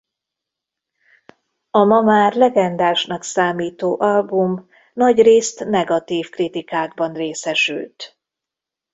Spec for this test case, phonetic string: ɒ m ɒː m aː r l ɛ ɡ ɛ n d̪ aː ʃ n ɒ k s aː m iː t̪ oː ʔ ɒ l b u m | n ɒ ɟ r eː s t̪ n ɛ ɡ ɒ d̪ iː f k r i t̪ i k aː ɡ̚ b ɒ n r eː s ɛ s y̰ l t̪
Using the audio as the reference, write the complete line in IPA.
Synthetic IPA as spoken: ɒ m ɒ m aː r l ɛ ɡ ɛ n d̪ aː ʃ n ɒ k s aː m iː t̪ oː ʔ ɒ l b u m | n ɒ ɟ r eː s t̪ n ɛ ɡ ɒ t̪ iː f k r i t̪ i k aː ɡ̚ b ɒ n r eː s ɛ ʃ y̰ l t̪